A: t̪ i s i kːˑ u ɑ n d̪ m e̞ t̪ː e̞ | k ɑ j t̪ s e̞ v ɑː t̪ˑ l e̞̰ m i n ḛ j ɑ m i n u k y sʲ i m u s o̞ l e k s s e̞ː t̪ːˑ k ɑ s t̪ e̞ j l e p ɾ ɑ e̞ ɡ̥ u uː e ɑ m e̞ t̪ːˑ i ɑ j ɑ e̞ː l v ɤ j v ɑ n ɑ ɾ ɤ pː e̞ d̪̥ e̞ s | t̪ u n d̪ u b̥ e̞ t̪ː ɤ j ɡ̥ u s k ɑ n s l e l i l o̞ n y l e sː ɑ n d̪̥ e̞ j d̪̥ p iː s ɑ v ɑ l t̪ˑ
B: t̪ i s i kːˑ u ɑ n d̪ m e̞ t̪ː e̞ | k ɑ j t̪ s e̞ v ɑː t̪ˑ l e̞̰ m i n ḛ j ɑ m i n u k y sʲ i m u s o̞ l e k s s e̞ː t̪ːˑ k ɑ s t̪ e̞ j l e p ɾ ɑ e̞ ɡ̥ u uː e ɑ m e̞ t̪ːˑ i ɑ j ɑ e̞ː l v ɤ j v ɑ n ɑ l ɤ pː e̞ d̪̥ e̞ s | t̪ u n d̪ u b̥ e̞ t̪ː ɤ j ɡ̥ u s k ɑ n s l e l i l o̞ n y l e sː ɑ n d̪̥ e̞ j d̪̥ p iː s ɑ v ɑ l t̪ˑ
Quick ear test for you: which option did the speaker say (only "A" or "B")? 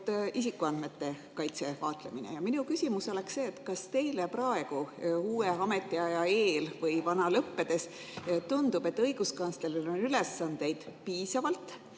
B